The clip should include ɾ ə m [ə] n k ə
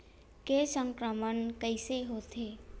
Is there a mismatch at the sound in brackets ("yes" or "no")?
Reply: no